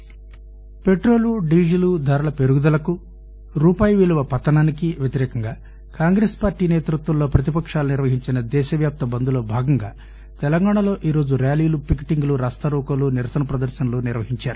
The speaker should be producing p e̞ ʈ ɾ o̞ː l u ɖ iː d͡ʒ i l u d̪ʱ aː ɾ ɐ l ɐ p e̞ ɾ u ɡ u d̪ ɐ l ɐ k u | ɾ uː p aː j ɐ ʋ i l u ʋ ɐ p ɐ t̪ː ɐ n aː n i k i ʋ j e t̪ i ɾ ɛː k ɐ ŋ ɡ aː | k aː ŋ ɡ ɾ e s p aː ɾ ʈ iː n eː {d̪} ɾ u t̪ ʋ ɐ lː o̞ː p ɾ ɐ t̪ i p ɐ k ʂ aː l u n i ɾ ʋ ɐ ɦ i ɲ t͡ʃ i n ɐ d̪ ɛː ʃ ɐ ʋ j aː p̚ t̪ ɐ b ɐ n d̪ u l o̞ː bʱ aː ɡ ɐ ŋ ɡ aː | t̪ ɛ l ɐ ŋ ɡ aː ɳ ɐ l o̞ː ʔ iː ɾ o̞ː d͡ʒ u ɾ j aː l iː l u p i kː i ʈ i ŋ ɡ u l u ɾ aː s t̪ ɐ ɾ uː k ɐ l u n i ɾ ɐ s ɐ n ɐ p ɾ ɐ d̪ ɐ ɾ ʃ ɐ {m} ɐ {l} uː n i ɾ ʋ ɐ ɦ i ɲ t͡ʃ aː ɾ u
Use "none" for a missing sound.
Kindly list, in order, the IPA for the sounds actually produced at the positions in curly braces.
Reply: t̪, n, l

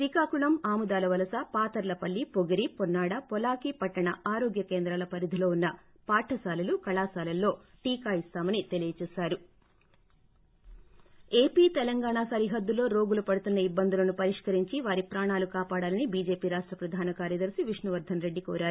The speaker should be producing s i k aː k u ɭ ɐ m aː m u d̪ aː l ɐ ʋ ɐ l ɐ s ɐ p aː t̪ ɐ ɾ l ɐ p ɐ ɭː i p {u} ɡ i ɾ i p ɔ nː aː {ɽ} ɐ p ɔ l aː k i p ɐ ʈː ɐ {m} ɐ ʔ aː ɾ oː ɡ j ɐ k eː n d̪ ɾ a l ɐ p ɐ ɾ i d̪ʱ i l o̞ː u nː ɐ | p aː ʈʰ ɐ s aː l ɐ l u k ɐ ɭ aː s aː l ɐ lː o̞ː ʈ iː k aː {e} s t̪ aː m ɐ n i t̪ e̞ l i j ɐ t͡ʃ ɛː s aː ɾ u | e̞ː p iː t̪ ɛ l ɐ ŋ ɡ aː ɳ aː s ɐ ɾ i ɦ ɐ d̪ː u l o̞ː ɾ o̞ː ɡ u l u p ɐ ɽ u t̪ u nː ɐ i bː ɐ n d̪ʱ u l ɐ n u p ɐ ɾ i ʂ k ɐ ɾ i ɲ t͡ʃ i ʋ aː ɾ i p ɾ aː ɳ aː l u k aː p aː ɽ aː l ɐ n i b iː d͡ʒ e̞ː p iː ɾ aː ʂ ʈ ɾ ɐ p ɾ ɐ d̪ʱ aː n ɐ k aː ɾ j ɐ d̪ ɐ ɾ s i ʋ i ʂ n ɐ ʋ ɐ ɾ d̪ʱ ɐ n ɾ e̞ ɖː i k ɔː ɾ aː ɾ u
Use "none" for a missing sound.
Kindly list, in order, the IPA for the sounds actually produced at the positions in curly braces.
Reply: o, ɽ, ɳ, i

